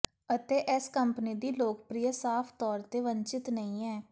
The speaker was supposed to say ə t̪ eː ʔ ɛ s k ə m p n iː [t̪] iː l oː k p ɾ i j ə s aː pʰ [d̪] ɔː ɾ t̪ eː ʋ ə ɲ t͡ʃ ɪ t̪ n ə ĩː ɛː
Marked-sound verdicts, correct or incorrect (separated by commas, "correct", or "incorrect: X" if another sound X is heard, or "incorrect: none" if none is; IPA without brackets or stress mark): incorrect: d̪, incorrect: t̪